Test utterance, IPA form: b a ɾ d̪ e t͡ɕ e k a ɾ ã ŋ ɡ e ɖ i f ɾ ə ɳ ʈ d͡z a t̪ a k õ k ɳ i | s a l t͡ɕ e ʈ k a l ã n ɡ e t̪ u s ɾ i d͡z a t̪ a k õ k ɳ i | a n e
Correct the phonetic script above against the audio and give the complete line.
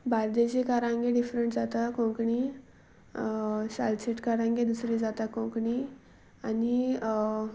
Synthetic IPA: b a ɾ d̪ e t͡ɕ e k a ɾ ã ŋ ɡ e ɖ i f ɾ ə ɳ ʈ d͡z a t̪ a k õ k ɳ i | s a l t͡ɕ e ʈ k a ɾ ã ŋ ɡ e d̪ u s ɾ i d͡z a t̪ a k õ k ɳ i | a n i